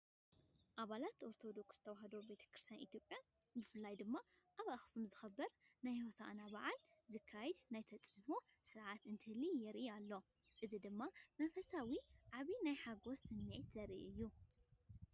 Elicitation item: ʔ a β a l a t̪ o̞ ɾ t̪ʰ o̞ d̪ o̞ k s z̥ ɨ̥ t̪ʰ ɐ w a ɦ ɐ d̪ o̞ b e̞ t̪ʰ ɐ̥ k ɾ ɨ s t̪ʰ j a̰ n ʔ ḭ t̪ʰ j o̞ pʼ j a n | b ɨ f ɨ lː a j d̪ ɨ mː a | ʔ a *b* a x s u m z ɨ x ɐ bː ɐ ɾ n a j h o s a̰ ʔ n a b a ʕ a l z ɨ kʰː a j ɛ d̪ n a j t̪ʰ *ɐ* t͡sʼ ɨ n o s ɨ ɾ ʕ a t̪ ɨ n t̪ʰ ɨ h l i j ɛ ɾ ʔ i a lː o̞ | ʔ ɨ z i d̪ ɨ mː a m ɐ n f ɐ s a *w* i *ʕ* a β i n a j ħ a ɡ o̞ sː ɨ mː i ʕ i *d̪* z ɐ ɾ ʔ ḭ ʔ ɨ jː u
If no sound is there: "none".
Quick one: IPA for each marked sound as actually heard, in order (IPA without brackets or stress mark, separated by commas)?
β, ɐ, w, ʕ, t̪